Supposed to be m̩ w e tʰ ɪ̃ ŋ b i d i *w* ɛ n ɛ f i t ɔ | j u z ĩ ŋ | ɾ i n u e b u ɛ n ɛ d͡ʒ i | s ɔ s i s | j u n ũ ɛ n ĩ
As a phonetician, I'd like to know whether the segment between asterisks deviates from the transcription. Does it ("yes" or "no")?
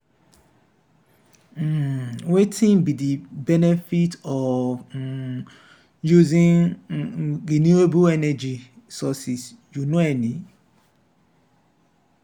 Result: yes